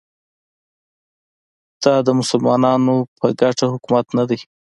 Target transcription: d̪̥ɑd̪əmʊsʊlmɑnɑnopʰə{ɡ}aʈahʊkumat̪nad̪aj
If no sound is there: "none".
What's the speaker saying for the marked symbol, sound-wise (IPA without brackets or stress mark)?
ɡ